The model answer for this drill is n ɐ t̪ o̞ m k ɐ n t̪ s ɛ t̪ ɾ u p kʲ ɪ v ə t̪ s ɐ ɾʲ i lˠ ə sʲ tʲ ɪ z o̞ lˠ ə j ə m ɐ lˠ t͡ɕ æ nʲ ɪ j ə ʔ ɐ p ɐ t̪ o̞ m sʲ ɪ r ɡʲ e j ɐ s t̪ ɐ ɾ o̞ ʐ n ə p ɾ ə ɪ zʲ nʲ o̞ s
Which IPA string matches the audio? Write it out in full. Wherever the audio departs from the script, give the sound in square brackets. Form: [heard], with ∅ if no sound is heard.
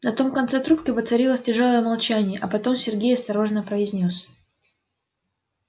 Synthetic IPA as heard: n ɐ t̪ o̞ m k ɐ n t̪ s ɛ t̪ ɾ u p kʲ ɪ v ə t̪ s ɐ ɾʲ i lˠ ə sʲ tʲ ɪ [ʐ] o̞ lˠ ə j ə m ɐ lˠ t͡ɕ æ nʲ ɪ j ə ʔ ɐ p ɐ t̪ o̞ m sʲ ɪ r ɡʲ e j ɐ s t̪ ɐ ɾ o̞ ʐ n ə p ɾ ə ɪ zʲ nʲ o̞ s